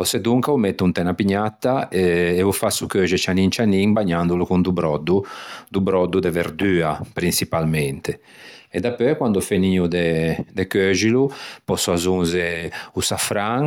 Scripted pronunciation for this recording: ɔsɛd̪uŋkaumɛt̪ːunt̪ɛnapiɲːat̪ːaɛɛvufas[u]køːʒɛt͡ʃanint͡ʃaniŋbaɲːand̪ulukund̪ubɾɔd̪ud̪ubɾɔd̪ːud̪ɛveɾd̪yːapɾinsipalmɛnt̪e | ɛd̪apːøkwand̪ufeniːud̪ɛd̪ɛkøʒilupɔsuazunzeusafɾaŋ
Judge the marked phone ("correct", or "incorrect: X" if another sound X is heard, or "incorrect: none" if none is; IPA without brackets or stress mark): correct